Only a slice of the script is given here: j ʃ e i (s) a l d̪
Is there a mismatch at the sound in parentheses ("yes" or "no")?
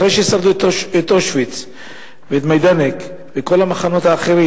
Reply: no